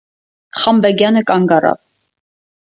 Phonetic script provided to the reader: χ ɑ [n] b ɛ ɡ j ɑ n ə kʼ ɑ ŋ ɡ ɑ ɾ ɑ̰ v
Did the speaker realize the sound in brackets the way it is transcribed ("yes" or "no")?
no